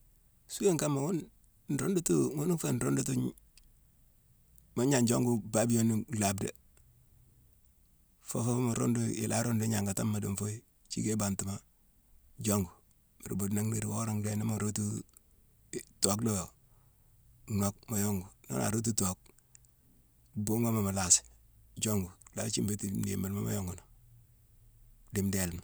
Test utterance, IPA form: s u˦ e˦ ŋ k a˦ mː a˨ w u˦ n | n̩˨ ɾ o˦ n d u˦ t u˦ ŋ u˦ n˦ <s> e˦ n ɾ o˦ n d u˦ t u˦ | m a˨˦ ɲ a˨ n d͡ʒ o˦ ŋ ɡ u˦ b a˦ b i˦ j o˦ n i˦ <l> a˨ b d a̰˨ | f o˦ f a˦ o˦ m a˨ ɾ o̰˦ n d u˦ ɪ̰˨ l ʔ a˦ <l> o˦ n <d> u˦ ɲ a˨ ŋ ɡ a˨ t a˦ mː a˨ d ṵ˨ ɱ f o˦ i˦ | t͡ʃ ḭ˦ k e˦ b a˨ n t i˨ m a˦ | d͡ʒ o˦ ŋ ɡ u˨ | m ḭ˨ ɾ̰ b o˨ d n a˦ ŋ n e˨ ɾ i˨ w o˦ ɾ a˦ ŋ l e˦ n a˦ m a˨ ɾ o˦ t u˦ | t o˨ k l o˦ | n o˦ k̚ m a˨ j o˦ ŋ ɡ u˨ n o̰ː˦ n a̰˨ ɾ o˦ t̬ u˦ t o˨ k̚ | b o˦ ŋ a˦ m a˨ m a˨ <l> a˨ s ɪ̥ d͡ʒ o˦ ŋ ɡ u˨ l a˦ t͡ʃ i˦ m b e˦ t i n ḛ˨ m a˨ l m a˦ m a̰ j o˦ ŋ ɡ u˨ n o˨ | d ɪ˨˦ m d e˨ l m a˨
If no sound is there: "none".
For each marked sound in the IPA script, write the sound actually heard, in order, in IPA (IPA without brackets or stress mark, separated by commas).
f, l, ɾ, d, l